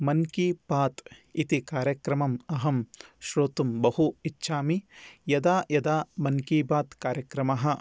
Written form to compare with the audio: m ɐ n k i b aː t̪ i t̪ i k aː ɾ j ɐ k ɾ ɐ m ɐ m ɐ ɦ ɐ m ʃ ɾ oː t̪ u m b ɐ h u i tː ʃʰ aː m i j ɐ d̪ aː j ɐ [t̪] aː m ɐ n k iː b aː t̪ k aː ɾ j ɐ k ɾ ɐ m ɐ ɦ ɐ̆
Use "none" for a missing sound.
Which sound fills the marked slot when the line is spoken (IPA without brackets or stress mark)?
d̪